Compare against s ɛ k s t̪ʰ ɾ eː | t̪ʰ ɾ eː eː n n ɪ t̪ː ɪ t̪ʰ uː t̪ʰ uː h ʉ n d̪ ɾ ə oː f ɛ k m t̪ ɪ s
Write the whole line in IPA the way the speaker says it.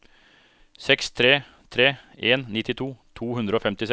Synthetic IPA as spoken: s ɛ k s t̪ʰ ɾ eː | t̪ʰ ɾ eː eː n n ɪ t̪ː ɪ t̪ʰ uː t̪ʰ uː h ʉ n d̪ ɾ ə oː f ɛ m t̪ ɪ s